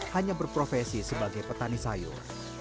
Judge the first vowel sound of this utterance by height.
low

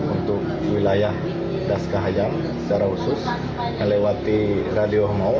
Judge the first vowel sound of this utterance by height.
high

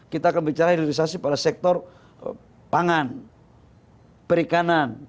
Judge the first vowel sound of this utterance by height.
high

